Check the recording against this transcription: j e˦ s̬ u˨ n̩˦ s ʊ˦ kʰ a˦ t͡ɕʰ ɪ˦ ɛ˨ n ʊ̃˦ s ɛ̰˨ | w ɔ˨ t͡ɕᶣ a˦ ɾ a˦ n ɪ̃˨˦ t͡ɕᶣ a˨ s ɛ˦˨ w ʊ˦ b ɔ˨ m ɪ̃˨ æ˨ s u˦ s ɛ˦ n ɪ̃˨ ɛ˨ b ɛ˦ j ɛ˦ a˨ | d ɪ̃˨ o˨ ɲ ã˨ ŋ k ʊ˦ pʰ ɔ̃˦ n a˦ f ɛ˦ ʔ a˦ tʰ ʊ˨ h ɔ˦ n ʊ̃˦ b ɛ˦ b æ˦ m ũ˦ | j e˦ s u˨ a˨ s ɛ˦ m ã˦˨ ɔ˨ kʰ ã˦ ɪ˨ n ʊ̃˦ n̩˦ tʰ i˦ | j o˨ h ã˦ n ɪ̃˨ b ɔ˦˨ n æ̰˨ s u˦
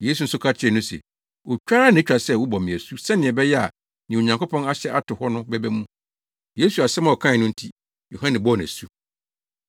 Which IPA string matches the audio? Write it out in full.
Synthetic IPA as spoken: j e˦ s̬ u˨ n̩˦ s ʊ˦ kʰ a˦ t͡ɕʰ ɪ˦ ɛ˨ n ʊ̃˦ s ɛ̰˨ | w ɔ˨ t͡ɕᶣ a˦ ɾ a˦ n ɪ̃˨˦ t͡ɕᶣ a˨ s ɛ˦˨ w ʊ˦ b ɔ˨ m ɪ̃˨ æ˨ s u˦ s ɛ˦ n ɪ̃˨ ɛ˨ b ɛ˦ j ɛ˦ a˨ | n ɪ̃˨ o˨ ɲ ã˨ ŋ k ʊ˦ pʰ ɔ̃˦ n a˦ ɕ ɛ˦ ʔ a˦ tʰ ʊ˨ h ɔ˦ n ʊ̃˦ b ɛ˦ b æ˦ m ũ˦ | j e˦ s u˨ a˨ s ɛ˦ m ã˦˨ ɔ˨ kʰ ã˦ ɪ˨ n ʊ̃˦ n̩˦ tʰ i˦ | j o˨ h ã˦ n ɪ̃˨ b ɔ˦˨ n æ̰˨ s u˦

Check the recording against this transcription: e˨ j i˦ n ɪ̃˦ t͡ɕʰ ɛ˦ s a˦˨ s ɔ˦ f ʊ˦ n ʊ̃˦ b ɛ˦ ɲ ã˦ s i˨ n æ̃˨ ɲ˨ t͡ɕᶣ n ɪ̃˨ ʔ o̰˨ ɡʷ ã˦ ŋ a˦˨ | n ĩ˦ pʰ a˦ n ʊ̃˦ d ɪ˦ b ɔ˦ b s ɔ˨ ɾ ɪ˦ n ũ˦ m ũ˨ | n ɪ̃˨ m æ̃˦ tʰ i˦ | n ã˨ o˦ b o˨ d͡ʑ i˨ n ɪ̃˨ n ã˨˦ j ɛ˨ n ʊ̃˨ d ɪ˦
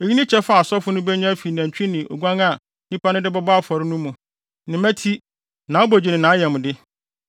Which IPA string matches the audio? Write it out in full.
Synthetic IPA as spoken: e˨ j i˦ n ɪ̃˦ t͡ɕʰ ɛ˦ f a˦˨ s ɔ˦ f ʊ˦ n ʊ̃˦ b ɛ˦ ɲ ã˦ f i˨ n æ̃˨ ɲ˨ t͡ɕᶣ n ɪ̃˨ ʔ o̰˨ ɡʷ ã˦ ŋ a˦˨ | n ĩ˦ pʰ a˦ n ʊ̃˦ d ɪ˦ b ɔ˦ b f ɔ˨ ɾ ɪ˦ n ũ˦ m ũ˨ | n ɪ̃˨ m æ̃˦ tʰ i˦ | n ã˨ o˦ b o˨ d͡ʑ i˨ n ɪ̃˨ n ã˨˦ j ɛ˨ m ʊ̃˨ d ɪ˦

